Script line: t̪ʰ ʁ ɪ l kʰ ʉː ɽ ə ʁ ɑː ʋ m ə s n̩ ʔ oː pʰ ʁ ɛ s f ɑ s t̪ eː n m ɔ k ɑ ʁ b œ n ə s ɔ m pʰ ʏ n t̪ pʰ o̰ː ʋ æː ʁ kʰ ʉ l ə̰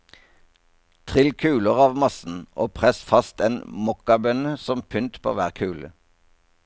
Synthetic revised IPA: t̪ʰ ʁ ɪ l kʰ ʉː l ə ʁ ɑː ʋ m ɑ s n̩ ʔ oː pʰ ʁ ɛ s f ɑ s t̪ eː n m ɔ k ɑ b œ n ə s ɔ m pʰ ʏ n t̪ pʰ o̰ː ʋ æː ʁ kʰ ʉː l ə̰